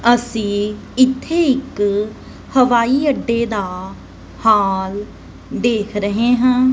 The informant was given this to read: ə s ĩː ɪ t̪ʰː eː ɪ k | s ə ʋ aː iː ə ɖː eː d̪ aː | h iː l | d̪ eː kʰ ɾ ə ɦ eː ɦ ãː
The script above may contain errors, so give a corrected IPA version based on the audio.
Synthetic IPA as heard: ə s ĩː ɪ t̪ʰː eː ɪ k | h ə ʋ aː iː ə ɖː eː d̪ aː | h aː l | d̪ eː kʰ ɾ ə ɦ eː ɦ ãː